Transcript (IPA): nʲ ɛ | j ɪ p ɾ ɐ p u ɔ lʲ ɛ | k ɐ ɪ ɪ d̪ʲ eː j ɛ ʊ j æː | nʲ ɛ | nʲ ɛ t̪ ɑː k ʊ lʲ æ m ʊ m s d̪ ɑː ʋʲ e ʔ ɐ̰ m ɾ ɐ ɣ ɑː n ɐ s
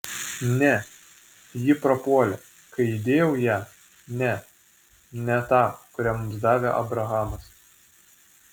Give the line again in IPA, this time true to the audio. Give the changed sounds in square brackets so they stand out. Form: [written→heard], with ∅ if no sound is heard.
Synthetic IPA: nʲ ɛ | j ɪ p ɾ ɐ p u ɔ lʲ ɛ | k ɐ ɪ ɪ d̪ʲ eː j ɛ ʊ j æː | nʲ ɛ | nʲ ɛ t̪ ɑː k ʊ [lʲ→ɾʲ] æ m ʊ m s d̪ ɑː ʋʲ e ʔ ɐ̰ [m→b] ɾ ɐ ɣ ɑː [n→m] ɐ s